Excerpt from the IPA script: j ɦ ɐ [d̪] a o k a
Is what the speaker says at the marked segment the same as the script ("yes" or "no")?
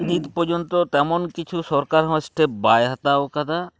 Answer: no